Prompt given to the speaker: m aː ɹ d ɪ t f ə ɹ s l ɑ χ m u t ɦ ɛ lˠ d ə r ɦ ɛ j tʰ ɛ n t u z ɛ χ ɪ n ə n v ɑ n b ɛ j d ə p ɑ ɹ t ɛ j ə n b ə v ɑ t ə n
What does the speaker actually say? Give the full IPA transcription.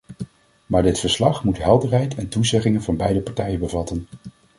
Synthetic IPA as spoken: m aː ɹ d ɪ t f ə ɹ s l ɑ χ m u t ɦ ɛ lˠ d ə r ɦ ɛ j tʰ ɛ n t u z ɛ χ ɪ ŋ ə n v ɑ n b ɛ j d ə p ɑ ɹ t ɛ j ə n b ə v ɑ t ə n